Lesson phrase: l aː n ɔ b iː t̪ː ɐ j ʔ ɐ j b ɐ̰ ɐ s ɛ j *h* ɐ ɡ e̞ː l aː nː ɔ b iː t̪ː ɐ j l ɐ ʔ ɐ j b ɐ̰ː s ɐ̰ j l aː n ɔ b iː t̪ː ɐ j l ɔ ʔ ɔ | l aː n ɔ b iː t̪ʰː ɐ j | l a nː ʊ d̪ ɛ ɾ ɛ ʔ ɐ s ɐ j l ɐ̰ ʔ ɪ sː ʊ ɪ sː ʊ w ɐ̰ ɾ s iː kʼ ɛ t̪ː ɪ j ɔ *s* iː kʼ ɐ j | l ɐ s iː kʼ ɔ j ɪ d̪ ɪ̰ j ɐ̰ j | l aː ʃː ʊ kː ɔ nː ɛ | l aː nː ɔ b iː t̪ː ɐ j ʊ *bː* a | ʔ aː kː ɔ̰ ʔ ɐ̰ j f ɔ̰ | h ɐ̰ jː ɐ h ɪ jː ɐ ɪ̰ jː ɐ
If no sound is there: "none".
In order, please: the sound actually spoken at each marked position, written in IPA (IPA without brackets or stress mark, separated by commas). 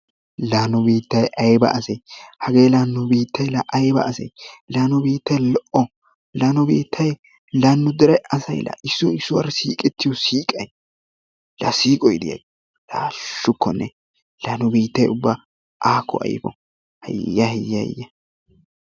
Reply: h, s, bː